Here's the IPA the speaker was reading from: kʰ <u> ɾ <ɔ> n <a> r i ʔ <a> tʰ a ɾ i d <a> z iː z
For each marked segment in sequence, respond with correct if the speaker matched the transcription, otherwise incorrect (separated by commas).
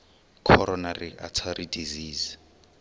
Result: incorrect, correct, correct, correct, incorrect